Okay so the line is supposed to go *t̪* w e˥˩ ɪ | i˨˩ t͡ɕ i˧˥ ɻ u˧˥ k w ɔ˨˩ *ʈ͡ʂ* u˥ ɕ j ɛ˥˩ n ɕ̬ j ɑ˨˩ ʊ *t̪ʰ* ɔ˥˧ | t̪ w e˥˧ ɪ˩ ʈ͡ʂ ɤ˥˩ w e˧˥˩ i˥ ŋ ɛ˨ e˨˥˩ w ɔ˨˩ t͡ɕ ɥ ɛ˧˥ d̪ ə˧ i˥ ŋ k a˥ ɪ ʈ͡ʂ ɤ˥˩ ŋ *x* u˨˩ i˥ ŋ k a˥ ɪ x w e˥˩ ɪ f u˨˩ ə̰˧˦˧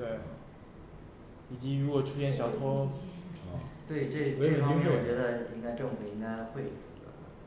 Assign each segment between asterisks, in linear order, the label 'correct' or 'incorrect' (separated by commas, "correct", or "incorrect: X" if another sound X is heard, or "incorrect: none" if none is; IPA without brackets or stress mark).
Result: correct, incorrect: ʈ͡ʂʰ, correct, incorrect: f